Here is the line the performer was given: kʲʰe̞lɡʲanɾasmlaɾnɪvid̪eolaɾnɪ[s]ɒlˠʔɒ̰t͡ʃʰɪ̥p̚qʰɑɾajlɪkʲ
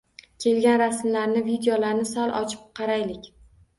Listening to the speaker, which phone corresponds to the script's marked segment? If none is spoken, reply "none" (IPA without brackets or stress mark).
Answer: s